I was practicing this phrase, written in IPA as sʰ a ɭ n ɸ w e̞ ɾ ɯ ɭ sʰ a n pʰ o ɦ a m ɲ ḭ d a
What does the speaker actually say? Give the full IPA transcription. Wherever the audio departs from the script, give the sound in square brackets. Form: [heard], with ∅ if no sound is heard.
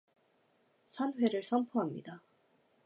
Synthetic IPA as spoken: sʰ a [∅] n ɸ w e̞ ɾ ɯ ɭ sʰ [ʌ] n pʰ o ɦ a m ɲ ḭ d a